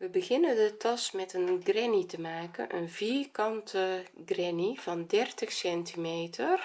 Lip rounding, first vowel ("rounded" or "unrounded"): unrounded